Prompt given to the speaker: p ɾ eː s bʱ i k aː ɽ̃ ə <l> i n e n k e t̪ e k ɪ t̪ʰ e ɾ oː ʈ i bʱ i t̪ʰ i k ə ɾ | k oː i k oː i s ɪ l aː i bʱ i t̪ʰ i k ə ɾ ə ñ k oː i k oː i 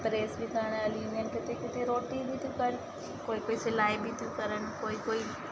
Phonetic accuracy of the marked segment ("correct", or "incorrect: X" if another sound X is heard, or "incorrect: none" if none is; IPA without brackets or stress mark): correct